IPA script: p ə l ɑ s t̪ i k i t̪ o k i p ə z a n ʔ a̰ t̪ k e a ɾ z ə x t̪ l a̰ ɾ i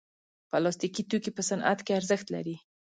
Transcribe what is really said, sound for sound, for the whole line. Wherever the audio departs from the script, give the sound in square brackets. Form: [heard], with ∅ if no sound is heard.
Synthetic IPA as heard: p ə l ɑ s t̪ i k i t̪ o k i p ə [s] a n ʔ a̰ t̪ k e a ɾ z ə x t̪ l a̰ ɾ i